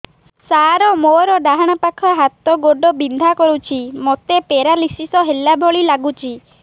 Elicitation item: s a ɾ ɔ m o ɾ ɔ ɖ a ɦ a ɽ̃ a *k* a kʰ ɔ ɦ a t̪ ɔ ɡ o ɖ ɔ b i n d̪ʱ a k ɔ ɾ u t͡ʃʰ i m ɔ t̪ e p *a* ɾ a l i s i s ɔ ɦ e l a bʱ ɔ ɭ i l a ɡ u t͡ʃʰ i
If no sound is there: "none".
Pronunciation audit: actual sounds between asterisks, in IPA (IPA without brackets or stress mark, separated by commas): p, e